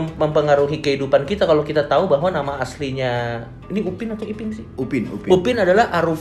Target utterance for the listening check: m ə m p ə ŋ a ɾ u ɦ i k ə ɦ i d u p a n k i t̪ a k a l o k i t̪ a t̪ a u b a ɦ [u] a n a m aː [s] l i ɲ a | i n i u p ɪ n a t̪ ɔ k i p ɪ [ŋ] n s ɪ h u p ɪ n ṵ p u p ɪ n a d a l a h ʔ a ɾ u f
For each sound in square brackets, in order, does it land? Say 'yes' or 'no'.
no, yes, no

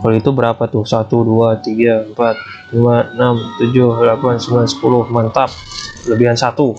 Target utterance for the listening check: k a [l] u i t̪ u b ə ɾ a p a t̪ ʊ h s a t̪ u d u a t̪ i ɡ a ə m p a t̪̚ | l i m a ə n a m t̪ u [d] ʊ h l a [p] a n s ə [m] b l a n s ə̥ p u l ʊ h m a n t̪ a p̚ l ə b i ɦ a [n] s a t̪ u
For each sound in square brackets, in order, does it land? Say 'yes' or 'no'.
yes, no, yes, yes, yes

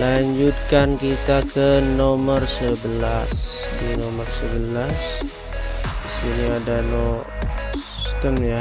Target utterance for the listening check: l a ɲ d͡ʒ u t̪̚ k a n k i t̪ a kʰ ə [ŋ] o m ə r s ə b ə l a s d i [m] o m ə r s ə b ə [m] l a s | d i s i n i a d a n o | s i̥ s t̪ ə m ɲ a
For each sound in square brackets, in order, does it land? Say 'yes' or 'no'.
no, no, no

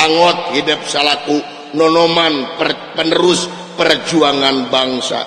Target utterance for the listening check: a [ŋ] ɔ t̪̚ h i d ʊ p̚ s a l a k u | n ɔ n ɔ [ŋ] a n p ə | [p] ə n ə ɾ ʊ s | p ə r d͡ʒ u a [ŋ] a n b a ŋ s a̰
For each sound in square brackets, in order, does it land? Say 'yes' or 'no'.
yes, no, yes, yes

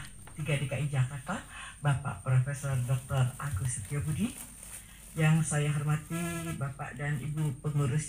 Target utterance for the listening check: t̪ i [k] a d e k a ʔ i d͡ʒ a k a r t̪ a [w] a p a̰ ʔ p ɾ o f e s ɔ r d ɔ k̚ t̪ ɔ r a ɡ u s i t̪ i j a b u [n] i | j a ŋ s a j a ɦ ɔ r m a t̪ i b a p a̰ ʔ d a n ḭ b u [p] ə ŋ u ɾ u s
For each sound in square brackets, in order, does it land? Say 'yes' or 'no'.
no, no, no, yes

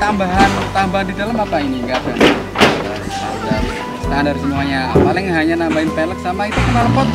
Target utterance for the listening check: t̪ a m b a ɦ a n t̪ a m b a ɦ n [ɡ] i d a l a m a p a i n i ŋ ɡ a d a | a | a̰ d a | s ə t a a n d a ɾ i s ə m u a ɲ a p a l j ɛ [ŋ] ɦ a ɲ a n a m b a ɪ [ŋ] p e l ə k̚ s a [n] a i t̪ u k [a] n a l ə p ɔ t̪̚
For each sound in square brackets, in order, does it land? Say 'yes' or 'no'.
no, yes, no, no, no

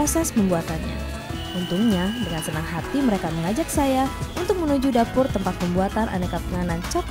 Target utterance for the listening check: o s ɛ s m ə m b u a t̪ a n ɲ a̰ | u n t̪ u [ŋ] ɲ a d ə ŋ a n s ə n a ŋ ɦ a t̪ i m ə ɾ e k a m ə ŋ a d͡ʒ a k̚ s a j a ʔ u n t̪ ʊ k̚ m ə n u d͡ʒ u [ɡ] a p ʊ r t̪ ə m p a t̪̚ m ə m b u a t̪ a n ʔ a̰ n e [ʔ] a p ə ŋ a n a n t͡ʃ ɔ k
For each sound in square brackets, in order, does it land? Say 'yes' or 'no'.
yes, no, no

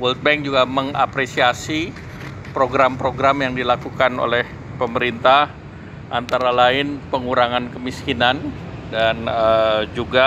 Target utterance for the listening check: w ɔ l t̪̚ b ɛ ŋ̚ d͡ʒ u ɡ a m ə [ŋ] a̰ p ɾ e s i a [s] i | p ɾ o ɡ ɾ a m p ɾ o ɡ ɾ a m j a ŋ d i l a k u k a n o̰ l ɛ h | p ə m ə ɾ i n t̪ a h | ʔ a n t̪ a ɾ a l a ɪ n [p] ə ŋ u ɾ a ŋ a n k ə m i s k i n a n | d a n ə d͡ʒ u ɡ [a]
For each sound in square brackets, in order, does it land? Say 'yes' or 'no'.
yes, yes, yes, yes

